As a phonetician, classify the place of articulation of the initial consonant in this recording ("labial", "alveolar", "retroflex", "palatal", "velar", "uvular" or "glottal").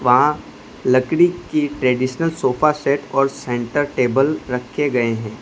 labial